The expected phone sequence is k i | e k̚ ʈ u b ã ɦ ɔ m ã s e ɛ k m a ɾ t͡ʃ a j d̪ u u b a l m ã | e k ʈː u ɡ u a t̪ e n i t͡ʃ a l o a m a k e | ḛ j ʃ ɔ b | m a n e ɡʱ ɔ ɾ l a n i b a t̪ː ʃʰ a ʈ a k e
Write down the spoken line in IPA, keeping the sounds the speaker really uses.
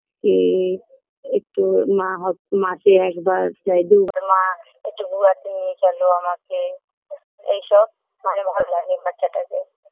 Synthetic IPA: k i | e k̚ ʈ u m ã ɦ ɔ m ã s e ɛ k b a ɾ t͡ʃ a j d̪ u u b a ɾ m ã | e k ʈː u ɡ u a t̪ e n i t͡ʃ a l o a m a k e | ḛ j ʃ ɔ b | m a n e bʱ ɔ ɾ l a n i b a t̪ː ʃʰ a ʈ a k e